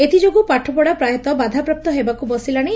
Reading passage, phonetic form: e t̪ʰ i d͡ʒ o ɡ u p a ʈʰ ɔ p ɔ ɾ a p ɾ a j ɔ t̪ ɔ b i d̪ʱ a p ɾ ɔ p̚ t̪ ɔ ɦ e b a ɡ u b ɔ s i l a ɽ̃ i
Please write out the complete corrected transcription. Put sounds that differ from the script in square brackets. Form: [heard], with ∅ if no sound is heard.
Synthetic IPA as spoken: e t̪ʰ i d͡ʒ o ɡ u p a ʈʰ ɔ p ɔ [ɽ] a p ɾ a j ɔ t̪ ɔ b [a] d̪ʱ a p ɾ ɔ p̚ t̪ ɔ ɦ e b a [k] u b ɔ s i l a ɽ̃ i